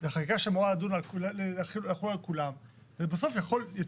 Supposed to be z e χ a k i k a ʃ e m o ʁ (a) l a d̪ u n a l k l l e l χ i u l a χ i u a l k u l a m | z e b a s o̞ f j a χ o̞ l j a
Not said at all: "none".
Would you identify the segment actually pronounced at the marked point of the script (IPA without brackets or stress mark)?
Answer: a